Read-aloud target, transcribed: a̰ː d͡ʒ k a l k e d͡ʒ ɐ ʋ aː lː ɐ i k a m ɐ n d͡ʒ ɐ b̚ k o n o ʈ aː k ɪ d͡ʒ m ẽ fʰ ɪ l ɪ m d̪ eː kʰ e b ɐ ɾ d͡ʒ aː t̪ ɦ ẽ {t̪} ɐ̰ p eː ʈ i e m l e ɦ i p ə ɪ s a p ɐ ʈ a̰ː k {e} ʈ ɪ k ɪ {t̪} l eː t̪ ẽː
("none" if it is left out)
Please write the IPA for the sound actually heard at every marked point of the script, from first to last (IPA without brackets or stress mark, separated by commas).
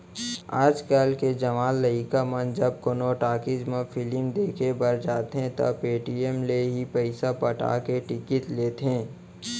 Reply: t̪, e, t̪